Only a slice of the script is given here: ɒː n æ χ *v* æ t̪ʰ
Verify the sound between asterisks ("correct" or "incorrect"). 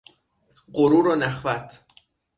correct